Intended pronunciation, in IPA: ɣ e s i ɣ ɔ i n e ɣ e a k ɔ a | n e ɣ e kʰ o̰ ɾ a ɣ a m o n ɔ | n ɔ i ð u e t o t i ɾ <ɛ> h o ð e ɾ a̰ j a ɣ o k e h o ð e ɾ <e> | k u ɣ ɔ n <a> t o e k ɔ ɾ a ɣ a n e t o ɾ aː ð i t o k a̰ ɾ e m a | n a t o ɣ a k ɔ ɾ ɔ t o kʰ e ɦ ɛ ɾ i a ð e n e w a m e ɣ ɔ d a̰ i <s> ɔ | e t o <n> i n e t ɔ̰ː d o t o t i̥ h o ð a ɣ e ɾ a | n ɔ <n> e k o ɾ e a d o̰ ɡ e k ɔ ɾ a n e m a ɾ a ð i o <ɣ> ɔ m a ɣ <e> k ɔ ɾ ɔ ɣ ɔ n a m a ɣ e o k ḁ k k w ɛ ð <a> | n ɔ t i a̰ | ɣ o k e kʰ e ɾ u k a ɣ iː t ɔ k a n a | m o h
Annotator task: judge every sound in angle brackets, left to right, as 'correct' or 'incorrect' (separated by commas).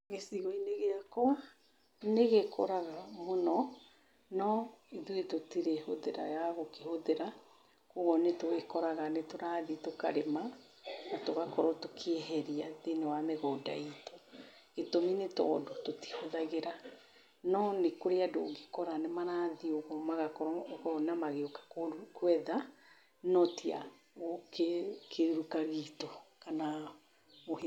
incorrect, incorrect, incorrect, incorrect, incorrect, correct, correct, incorrect, correct